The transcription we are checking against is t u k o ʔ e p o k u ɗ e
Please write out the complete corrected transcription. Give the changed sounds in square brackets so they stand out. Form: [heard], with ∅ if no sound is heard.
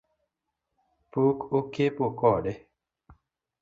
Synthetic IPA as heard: [p] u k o [k] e p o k [ɔ] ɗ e